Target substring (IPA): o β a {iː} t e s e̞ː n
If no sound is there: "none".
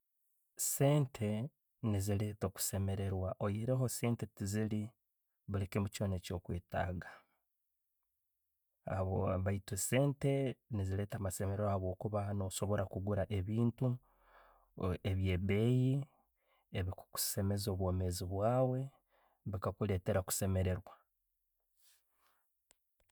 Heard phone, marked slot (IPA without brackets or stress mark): i